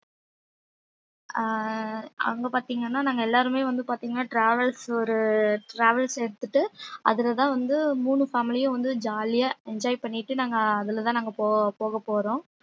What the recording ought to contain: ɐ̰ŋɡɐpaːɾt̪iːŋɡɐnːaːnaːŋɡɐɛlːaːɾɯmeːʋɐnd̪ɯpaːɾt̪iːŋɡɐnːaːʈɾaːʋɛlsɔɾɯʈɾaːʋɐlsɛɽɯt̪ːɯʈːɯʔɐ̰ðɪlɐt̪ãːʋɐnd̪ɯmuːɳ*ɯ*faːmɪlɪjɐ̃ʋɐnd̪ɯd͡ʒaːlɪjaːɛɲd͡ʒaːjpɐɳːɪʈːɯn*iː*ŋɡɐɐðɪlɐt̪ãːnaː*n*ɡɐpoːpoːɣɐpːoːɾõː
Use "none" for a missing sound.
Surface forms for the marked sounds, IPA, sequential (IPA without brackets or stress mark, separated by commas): ɯ, aː, ŋ